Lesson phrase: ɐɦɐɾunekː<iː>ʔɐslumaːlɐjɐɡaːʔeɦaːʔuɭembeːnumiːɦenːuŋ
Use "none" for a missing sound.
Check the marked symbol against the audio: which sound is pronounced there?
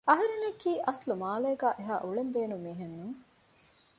iː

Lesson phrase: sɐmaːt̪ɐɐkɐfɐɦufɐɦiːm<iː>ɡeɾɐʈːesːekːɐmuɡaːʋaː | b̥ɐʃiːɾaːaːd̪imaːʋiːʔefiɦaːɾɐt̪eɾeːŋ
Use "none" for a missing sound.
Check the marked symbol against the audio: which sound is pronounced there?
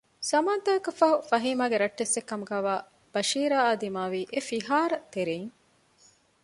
aː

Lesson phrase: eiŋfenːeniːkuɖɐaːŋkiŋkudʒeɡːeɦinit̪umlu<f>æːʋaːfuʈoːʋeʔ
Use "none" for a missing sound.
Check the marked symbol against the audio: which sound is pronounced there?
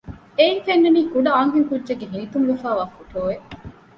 f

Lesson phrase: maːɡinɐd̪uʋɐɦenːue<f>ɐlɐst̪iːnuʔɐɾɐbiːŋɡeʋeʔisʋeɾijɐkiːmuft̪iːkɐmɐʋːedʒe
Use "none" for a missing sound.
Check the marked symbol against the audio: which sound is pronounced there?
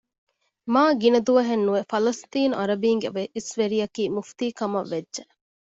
f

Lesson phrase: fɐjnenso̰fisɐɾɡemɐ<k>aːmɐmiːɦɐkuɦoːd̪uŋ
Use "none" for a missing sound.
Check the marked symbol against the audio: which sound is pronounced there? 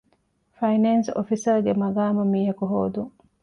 ɡ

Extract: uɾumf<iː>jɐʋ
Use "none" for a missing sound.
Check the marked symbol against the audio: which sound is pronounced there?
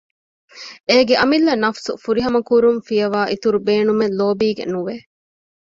i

